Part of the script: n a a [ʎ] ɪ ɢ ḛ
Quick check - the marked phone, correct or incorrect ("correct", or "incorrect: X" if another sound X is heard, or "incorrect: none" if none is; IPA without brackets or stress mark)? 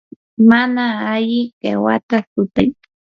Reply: correct